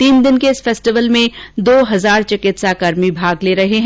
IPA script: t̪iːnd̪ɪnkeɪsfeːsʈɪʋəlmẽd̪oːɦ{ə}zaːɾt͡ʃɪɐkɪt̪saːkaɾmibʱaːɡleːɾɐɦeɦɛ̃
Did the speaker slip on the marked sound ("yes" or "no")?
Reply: yes